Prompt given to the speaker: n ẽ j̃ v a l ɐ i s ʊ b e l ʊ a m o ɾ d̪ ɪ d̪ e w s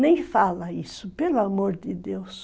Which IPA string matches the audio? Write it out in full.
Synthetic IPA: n ẽ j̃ f a l ɐ i s ʊ p e l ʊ a m o ɾ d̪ ɪ d̪ e w s